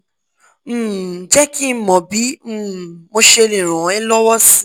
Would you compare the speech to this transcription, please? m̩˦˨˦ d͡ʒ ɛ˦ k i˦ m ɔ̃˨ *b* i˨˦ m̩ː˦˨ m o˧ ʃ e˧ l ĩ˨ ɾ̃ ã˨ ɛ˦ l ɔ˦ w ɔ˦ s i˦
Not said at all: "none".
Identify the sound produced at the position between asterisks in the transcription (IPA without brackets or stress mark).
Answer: b